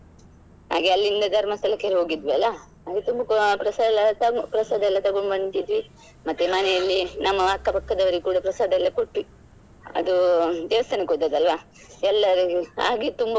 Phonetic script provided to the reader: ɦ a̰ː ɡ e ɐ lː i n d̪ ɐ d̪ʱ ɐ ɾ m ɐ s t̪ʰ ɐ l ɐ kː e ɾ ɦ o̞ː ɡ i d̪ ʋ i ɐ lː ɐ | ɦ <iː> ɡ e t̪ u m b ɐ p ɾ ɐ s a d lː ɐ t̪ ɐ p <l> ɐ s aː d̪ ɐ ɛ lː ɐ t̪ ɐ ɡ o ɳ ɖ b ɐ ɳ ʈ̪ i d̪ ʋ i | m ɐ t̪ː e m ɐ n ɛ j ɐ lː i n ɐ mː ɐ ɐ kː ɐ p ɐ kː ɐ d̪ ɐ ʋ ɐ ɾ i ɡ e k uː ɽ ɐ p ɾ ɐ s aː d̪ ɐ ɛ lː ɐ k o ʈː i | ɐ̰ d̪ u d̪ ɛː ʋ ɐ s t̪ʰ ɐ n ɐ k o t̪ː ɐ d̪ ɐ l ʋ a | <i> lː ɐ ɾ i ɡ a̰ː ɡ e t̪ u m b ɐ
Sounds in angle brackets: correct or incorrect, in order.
incorrect, incorrect, incorrect

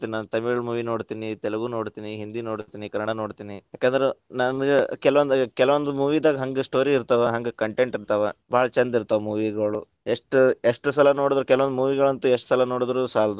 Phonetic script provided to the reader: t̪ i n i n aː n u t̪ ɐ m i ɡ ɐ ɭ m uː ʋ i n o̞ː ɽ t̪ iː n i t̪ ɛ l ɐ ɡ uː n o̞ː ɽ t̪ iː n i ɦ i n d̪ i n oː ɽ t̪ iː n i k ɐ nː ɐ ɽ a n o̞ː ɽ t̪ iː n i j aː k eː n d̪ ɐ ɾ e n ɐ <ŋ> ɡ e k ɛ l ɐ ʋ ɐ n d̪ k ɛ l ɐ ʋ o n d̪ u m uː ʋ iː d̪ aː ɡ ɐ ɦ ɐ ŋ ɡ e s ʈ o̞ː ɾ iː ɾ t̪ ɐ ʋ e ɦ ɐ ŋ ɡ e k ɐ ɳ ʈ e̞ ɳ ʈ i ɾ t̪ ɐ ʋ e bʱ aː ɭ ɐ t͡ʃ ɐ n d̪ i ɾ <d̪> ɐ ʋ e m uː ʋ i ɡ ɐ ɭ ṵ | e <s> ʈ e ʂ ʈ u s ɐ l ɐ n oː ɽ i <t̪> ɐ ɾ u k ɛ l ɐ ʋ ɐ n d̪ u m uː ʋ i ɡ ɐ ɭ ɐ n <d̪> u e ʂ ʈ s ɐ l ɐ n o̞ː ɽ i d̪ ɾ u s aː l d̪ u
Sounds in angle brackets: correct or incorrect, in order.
incorrect, incorrect, incorrect, incorrect, incorrect

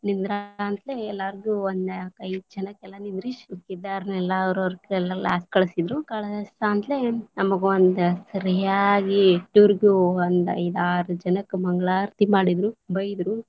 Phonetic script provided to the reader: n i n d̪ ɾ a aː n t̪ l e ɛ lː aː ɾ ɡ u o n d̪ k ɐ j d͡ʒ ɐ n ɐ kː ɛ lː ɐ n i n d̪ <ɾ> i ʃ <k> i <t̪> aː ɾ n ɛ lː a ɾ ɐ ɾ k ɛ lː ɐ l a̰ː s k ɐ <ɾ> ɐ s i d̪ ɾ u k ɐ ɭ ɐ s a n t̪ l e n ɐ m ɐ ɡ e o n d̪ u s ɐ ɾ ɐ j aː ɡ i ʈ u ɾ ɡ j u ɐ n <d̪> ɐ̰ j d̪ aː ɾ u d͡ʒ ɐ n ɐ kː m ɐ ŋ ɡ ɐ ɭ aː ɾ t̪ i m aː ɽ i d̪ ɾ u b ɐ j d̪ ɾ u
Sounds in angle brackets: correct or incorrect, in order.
correct, correct, incorrect, incorrect, correct

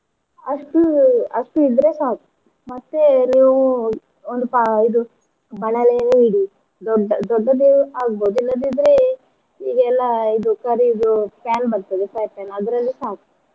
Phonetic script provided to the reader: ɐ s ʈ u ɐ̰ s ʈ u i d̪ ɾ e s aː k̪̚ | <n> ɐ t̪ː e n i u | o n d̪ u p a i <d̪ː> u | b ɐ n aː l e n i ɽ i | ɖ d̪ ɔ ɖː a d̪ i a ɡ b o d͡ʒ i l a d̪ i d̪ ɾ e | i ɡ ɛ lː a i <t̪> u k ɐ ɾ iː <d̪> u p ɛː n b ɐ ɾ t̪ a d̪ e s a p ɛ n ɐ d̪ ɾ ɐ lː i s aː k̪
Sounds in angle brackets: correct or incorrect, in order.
incorrect, incorrect, incorrect, correct

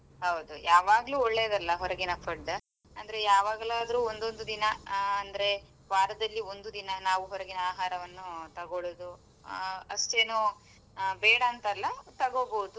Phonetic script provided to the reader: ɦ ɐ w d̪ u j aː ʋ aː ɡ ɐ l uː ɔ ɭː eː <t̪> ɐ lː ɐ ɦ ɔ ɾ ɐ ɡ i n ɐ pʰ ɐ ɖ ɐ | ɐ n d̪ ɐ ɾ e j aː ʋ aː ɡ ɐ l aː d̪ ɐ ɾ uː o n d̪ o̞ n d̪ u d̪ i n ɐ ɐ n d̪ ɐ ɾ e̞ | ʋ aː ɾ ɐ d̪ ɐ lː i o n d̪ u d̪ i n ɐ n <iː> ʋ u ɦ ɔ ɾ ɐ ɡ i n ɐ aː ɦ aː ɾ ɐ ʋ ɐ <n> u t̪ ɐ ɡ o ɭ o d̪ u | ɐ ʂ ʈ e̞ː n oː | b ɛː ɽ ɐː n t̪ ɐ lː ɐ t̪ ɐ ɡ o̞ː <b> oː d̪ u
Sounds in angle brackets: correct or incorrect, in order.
incorrect, incorrect, incorrect, correct

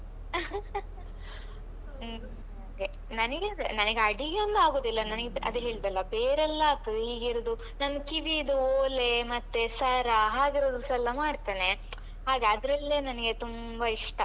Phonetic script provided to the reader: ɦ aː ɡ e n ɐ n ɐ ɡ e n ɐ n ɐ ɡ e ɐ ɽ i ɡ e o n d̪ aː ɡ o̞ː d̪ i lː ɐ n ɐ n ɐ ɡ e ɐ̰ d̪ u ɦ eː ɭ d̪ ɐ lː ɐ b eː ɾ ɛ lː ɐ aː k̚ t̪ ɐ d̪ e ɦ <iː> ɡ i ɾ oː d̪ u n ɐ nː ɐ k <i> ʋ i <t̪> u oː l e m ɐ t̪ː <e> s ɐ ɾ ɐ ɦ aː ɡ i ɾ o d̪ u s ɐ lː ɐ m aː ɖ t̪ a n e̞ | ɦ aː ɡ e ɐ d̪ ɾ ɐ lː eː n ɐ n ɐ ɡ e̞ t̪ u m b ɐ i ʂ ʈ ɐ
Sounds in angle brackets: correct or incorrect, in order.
correct, correct, incorrect, correct

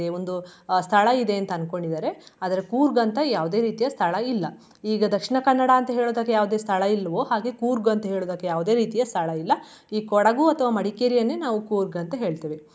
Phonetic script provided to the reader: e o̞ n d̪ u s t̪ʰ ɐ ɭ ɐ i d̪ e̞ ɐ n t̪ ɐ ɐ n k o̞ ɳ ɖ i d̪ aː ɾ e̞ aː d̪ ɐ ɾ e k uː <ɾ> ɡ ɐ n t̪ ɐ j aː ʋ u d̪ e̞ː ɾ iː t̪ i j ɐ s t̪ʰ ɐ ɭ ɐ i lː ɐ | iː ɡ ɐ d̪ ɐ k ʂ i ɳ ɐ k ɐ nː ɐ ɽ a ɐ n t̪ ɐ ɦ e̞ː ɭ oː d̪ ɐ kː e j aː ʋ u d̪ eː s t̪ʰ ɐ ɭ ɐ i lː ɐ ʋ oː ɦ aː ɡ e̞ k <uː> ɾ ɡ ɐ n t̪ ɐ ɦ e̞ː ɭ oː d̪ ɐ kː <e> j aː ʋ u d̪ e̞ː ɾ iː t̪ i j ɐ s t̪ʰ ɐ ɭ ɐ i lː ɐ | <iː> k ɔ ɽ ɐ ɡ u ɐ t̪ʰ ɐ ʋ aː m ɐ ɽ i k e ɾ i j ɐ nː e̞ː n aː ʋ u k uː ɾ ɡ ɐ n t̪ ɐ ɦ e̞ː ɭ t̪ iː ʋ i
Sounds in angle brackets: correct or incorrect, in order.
correct, correct, correct, correct

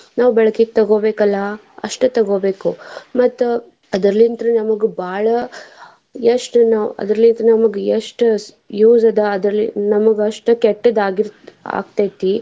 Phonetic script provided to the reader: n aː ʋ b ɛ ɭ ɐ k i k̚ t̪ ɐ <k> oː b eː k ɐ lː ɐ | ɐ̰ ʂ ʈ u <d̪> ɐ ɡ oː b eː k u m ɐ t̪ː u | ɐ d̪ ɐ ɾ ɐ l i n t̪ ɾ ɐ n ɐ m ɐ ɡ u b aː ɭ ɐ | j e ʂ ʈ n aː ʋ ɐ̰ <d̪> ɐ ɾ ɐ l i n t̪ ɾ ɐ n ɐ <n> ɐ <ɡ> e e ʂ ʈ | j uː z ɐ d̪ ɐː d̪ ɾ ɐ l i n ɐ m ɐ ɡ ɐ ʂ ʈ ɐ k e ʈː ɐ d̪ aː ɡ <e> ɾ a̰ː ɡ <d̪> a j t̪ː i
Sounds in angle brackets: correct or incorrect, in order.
incorrect, incorrect, correct, incorrect, correct, incorrect, incorrect

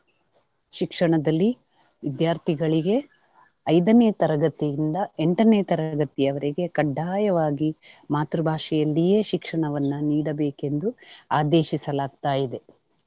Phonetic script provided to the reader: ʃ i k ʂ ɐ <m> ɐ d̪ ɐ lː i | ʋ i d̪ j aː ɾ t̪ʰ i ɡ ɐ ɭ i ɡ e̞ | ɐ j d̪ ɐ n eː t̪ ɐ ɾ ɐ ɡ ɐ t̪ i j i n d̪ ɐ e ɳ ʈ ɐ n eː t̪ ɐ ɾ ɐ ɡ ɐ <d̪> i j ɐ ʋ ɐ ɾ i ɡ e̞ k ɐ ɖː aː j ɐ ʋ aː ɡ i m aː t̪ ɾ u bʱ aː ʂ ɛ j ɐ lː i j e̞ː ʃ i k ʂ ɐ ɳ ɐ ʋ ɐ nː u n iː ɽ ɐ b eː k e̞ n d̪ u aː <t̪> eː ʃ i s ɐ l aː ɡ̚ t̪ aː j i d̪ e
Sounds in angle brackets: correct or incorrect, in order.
incorrect, incorrect, incorrect

